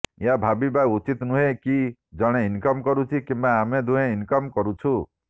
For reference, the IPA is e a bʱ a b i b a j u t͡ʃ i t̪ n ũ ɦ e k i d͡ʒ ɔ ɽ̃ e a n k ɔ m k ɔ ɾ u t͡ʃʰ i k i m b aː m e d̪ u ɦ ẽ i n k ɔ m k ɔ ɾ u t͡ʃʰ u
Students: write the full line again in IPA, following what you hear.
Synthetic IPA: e a bʱ a b i b a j u t͡ʃ i t̪ n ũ ɦ e k i d͡ʒ ɔ ɽ̃ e i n k ɔ m k ɔ ɾ u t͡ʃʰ i k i m b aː m e d̪ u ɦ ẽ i n k ɔ m k ɔ ɾ u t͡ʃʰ u